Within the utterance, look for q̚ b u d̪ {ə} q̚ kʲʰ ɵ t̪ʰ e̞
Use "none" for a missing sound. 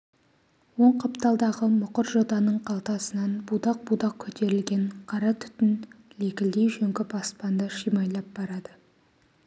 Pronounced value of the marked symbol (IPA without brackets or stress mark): ɑ